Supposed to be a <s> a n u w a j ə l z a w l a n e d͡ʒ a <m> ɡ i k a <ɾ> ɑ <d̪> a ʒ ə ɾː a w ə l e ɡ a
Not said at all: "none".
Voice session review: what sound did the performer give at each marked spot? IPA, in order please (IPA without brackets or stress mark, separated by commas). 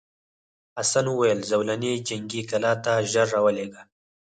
s, ŋ, l, t̪